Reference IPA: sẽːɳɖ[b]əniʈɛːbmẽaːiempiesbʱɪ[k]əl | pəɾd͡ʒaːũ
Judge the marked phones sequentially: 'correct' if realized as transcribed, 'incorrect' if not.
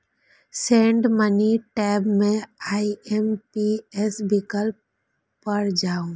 incorrect, correct

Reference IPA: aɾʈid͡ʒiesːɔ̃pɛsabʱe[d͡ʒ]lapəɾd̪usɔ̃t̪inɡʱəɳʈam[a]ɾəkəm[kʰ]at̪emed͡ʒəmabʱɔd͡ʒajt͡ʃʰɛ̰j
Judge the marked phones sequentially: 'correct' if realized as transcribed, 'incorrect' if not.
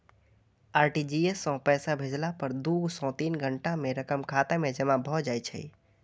correct, incorrect, correct

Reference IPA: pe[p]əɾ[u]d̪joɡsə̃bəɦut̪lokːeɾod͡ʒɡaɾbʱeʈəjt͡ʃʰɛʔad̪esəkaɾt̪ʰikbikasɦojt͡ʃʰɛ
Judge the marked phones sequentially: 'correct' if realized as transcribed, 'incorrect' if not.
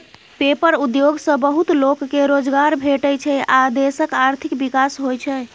correct, correct

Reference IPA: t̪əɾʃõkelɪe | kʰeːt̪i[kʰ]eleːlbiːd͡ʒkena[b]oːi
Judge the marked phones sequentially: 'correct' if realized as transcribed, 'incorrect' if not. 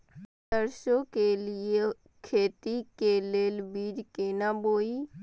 incorrect, correct

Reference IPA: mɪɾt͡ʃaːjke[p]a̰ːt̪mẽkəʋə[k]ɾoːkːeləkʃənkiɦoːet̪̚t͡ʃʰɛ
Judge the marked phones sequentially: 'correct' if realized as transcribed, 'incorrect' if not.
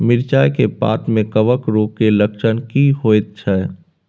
correct, correct

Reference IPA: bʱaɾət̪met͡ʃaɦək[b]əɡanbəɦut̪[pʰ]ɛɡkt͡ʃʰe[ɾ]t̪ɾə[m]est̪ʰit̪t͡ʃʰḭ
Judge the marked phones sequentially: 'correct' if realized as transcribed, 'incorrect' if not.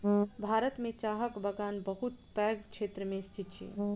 correct, incorrect, incorrect, correct

